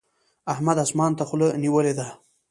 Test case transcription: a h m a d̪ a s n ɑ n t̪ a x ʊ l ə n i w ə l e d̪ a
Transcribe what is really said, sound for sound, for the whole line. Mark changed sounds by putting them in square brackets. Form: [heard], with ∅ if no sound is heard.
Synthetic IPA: a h m a d̪ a s [m] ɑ n t̪ a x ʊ l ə n i w ə l e d̪ a